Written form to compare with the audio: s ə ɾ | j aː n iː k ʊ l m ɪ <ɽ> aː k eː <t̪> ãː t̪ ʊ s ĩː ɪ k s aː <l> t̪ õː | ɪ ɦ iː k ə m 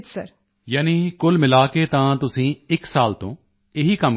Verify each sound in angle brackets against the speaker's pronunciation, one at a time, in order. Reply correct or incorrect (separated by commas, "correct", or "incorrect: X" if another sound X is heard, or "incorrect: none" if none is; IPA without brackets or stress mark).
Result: incorrect: l, correct, correct